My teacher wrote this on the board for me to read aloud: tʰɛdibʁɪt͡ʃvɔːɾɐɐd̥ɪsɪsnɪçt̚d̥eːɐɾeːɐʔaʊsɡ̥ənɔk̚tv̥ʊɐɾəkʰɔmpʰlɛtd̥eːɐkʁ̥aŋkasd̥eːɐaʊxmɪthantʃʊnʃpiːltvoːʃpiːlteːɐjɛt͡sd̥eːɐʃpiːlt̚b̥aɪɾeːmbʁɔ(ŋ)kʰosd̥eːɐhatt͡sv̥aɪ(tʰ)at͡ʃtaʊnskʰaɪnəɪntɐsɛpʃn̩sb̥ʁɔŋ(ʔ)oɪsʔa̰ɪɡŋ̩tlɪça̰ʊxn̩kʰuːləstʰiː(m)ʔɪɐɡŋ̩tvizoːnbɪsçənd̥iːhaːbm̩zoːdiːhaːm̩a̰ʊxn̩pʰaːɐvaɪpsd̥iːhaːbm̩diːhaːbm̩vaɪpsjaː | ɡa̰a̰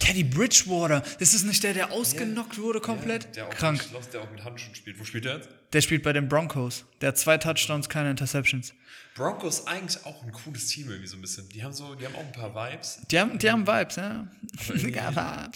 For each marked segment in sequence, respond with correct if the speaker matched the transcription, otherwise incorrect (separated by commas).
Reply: correct, correct, incorrect, correct